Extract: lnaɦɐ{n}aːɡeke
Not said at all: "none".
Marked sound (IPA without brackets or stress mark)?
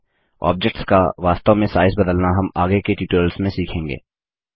m